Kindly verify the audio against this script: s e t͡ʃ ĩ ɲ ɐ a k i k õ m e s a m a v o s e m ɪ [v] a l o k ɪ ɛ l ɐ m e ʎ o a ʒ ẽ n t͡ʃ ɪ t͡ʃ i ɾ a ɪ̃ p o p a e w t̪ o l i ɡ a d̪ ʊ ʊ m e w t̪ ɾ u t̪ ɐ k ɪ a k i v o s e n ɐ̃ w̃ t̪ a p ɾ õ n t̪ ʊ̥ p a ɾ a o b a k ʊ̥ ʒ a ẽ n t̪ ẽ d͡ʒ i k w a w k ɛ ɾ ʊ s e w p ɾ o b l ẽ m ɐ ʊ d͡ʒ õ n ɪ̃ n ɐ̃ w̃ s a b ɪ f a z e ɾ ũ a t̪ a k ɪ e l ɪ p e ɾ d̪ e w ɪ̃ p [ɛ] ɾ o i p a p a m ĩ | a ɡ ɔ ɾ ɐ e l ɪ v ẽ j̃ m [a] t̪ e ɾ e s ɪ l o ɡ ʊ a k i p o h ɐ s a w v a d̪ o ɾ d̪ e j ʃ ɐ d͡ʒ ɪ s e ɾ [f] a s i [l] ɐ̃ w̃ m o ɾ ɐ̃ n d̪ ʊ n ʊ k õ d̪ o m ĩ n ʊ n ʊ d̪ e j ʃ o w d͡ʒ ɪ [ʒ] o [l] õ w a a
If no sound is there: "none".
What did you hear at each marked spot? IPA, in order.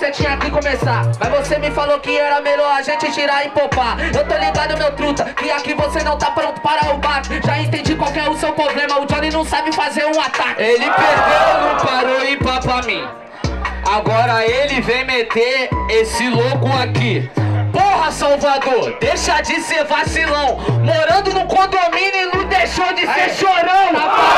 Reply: f, a, e, v, l, ʃ, ɾ

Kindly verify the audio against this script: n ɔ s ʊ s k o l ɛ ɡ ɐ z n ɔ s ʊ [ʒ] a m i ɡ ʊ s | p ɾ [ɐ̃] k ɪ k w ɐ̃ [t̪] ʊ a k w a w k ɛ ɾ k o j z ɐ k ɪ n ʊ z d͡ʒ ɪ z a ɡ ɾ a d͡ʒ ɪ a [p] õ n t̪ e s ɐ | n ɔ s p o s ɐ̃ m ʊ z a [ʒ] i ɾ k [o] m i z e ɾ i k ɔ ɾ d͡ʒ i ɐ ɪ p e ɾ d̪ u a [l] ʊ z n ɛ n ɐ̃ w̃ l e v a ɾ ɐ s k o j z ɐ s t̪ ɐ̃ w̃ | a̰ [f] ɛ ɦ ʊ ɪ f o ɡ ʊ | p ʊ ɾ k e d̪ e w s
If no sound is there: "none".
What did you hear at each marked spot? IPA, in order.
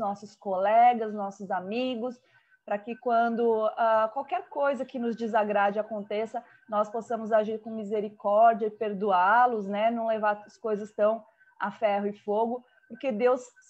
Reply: z, ɐ, d̪, k, ʒ, õ, l, f

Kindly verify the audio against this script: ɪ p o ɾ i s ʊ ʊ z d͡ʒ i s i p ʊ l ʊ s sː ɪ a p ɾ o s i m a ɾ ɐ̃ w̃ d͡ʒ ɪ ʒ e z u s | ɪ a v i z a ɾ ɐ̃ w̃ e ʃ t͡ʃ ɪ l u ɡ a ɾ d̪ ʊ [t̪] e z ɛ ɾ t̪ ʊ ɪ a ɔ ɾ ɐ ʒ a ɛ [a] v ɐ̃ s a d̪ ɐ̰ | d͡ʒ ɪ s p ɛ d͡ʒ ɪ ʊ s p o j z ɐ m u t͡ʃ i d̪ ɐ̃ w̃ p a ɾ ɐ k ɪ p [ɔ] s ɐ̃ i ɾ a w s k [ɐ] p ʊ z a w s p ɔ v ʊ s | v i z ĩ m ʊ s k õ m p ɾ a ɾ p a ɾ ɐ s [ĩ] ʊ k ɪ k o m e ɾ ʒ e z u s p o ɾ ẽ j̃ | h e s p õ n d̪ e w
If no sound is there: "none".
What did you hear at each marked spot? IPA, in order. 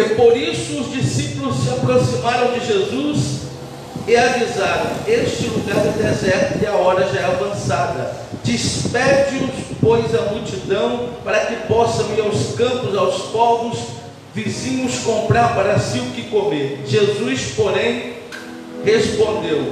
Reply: d̪, a, ɔ, ɐ̃, i

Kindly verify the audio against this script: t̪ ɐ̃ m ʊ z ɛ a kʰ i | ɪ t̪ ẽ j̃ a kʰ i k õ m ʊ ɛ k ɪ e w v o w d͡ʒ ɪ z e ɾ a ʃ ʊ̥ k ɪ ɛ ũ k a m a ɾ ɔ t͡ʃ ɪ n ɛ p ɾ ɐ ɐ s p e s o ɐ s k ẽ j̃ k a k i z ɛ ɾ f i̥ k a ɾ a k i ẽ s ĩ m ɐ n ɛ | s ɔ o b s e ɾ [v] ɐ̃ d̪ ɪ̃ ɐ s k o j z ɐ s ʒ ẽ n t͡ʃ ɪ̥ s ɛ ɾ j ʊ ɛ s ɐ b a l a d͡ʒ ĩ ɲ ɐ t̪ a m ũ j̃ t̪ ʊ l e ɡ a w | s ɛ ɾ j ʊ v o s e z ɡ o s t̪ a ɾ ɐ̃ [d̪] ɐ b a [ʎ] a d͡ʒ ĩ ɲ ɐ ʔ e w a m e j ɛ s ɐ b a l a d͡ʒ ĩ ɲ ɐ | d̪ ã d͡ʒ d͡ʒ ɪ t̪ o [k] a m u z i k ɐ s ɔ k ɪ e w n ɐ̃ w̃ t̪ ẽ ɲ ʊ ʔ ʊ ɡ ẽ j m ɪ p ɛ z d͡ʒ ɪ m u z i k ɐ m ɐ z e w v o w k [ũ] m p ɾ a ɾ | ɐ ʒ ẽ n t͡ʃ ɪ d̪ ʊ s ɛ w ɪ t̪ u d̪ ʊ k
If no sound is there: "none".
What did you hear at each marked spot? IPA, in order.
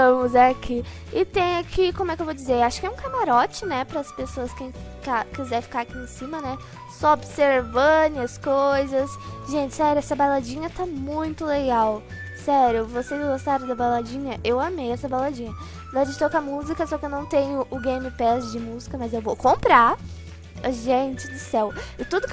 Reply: v, d̪, l, k, õ

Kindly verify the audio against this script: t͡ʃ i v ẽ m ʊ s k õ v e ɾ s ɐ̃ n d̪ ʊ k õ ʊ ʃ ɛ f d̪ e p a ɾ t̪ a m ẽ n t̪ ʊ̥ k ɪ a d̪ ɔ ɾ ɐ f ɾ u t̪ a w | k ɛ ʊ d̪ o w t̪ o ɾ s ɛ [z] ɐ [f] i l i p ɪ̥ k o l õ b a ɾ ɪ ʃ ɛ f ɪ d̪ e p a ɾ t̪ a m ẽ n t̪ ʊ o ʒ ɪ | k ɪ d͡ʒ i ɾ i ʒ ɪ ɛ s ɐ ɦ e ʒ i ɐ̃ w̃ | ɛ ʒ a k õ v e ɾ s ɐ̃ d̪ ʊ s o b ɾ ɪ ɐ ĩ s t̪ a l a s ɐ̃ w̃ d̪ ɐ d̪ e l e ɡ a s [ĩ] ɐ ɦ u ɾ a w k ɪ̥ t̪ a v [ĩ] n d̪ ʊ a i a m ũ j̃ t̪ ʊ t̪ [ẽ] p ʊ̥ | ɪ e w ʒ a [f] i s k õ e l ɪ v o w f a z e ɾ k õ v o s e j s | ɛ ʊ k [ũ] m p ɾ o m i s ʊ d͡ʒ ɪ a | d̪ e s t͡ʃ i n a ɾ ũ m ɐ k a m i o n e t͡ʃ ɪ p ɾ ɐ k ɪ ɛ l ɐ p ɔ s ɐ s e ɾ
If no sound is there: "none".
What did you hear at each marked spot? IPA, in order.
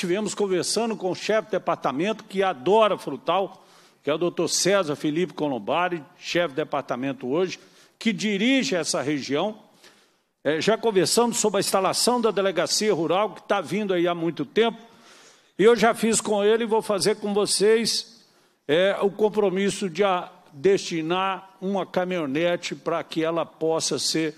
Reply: z, f, i, ĩ, ẽ, f, õ

